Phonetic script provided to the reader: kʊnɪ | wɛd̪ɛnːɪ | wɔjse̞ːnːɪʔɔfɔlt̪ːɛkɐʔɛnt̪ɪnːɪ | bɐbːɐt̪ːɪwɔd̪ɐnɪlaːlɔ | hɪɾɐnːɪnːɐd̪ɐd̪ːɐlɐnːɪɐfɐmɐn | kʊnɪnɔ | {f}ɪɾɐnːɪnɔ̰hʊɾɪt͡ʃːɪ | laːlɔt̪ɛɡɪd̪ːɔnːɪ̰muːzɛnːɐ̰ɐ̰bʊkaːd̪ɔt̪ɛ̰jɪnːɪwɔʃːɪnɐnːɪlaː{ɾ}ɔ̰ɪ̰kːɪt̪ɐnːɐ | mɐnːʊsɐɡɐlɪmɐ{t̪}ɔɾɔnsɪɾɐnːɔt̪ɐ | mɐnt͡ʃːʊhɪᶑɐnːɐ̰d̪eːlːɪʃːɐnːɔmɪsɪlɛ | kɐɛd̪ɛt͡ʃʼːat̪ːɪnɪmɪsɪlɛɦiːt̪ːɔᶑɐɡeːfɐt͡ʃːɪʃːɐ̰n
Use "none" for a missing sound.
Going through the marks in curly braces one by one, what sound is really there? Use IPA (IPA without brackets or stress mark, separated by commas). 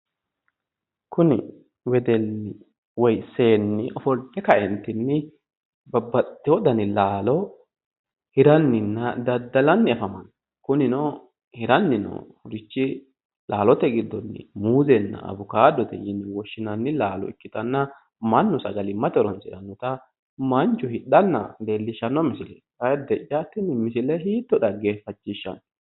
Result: h, l, t̪